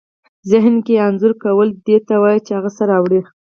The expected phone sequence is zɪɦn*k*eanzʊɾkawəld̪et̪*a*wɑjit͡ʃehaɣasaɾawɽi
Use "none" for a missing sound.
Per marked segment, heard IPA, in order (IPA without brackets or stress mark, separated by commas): k, a